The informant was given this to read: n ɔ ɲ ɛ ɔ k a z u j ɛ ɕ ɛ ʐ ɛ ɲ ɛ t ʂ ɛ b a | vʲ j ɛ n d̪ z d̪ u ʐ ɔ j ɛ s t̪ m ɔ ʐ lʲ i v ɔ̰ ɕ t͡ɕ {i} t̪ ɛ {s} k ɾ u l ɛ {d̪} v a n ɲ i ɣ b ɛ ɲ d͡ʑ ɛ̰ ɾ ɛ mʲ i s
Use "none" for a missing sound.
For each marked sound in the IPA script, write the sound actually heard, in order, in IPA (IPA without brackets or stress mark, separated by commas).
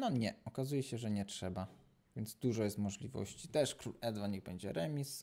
i, ʂ, d̪